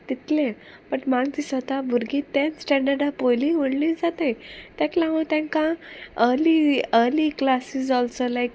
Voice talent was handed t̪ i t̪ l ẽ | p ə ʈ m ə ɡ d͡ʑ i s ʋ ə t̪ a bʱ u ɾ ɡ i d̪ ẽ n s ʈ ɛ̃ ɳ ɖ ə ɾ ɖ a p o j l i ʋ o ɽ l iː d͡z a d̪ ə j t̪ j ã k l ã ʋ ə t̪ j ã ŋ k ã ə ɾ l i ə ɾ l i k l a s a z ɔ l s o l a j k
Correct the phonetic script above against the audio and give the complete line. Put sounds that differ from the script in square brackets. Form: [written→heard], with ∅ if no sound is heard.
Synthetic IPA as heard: t̪ i t̪ l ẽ | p ə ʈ m [ə→a] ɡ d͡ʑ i s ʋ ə t̪ a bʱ u ɾ ɡ i [d̪→t̪] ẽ n s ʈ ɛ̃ ɳ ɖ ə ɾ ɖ a p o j l i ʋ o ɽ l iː d͡z a [d̪→t̪] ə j t̪ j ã k l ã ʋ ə t̪ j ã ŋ k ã ə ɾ l i ə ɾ l i k l a s [a→i] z ɔ l s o l a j k